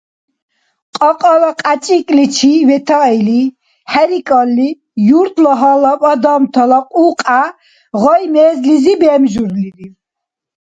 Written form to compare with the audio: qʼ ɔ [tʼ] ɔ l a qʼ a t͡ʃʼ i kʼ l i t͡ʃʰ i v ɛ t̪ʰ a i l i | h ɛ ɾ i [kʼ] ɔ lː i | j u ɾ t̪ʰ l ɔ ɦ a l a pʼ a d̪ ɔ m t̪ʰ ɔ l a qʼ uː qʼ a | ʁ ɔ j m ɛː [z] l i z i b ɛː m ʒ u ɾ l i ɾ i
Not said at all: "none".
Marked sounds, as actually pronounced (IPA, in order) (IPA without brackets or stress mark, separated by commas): qʼ, kʼ, z